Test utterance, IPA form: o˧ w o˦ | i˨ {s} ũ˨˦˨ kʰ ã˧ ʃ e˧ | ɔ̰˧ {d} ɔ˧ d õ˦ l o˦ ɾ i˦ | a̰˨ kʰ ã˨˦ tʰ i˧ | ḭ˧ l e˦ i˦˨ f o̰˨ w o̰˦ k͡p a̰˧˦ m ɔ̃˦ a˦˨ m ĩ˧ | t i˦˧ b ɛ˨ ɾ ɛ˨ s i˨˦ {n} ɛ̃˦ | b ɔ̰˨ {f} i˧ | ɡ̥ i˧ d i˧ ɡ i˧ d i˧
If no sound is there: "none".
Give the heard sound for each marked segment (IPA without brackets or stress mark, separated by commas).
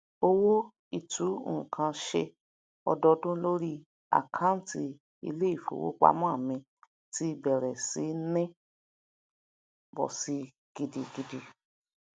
t, d, n, s